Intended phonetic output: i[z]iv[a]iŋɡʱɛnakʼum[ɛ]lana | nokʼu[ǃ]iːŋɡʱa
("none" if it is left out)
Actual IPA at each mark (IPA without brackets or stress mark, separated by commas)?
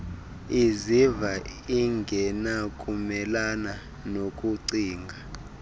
z, a, ɛ, ǀ